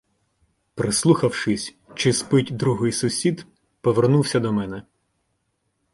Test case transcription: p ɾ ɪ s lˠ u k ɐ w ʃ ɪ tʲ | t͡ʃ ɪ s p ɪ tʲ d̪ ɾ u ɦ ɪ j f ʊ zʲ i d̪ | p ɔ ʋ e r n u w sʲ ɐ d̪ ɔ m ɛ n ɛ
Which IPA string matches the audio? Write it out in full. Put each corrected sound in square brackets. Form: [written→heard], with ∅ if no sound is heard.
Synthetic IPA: p ɾ ɪ s lˠ u [k→x] ɐ w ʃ ɪ [tʲ→sʲ] | t͡ʃ ɪ s p ɪ tʲ d̪ ɾ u ɦ ɪ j [f→s] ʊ [zʲ→sʲ] i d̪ | p ɔ ʋ e r n u w sʲ ɐ d̪ ɔ m ɛ n ɛ

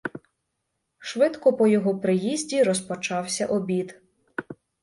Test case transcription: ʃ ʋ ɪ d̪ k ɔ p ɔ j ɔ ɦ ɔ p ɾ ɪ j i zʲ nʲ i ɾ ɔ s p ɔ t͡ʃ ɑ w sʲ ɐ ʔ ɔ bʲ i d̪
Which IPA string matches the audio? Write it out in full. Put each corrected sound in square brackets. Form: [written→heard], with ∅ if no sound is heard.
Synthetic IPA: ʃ ʋ ɪ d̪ k ɔ p ɔ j ɔ ɦ ɔ p ɾ ɪ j i zʲ [nʲ→dʲ] i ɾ ɔ s p ɔ t͡ʃ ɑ w sʲ ɐ ʔ ɔ bʲ i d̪

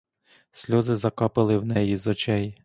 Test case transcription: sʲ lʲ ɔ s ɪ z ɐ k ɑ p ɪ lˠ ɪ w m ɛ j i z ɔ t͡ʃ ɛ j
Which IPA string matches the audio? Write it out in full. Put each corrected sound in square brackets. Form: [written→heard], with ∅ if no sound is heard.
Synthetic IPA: sʲ lʲ ɔ [s→z] ɪ z ɐ k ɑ p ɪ lˠ ɪ w [m→n] ɛ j i z ɔ t͡ʃ ɛ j

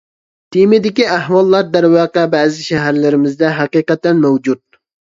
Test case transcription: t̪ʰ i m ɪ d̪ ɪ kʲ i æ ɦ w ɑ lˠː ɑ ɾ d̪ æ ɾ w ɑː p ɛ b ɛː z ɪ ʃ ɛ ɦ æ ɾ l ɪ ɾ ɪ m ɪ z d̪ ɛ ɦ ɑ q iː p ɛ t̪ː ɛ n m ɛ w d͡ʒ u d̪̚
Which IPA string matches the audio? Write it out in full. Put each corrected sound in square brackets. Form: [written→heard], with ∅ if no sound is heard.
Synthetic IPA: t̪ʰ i m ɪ d̪ ɪ kʲ i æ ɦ w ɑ lˠː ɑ ɾ d̪ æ ɾ w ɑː [p→q] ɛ b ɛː z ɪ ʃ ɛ ɦ æ ɾ l ɪ ɾ ɪ m ɪ z d̪ ɛ ɦ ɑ q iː [p→q] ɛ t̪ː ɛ n m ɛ w d͡ʒ u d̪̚

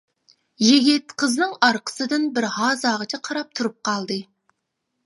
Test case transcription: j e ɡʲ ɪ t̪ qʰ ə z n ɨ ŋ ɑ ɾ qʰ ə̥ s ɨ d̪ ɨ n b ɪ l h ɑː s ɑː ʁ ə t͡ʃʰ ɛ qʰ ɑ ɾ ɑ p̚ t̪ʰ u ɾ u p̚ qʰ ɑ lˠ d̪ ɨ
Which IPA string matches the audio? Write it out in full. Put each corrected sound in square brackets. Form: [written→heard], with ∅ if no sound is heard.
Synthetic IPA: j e ɡʲ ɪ t̪ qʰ ə z n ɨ ŋ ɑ ɾ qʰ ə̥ s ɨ d̪ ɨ n b ɪ [l→ɾ] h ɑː [s→z] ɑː ʁ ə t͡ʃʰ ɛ qʰ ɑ ɾ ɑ p̚ t̪ʰ u ɾ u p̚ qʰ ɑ lˠ d̪ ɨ

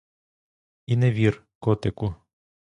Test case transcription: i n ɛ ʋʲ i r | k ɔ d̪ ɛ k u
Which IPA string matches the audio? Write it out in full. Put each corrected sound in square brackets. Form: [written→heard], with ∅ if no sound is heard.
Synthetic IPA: i n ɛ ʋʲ i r | k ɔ [d̪→t̪] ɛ k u

